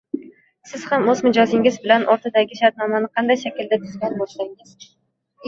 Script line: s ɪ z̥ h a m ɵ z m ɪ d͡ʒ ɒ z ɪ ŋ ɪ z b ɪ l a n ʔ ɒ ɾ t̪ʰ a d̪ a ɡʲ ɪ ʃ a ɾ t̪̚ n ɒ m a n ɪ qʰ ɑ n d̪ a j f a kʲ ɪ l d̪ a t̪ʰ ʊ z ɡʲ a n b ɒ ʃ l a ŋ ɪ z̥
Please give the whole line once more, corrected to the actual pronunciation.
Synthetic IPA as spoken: s ɪ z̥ h a m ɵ z m ɪ d͡ʒ ɒ z ɪ ŋ ɪ z b ɪ l a n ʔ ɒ ɾ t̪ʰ a d̪ a ɡʲ ɪ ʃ a ɾ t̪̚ n ɒ m a n ɪ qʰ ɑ n d̪ a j ʃ a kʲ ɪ l d̪ a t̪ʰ ʊ z ɡʲ a n b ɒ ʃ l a ŋ ɪ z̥

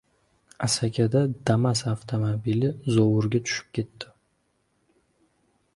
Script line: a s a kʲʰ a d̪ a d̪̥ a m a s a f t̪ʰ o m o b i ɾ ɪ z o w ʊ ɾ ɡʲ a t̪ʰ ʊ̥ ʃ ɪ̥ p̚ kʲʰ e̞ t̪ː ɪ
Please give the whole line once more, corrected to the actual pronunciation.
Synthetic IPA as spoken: a s a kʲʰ a d̪ a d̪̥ a m a s a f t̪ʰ o m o b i l ɪ z o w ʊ ɾ ɡʲ a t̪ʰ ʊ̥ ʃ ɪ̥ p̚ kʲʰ e̞ t̪ː ɪ

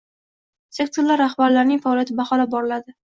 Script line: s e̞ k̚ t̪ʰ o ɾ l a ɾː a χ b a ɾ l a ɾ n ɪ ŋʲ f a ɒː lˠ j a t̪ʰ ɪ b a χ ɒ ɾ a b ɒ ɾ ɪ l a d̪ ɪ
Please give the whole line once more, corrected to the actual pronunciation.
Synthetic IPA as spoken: s e̞ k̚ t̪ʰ o ɾ l a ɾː a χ b a ɾ l a ɾ n ɪ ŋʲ f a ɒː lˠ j a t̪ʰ ɪ b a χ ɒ l a b ɒ ɾ ɪ l a d̪ ɪ

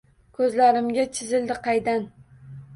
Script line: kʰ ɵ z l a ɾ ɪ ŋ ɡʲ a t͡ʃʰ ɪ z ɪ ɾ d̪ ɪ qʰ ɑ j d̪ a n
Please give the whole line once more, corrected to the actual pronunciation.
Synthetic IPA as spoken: kʰ ɵ z l a ɾ ɪ m ɡʲ a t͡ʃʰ ɪ z ɪ l d̪ ɪ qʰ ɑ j d̪ a n

